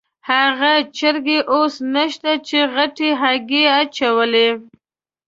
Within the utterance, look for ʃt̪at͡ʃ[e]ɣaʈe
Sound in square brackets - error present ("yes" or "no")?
no